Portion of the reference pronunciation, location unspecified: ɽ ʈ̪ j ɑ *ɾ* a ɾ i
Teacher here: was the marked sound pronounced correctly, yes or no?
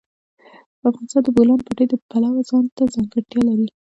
no